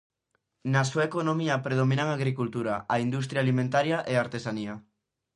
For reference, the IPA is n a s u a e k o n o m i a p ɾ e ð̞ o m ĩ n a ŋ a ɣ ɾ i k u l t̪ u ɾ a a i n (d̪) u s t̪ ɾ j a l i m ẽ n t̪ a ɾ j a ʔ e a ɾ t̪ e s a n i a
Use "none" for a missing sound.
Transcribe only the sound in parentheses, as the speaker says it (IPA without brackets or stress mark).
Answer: d̪